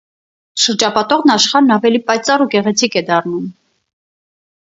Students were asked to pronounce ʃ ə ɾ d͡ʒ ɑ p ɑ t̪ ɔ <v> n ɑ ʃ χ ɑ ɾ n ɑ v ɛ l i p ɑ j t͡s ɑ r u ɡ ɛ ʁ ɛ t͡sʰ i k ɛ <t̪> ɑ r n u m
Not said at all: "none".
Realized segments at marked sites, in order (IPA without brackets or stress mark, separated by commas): ʁ, d̪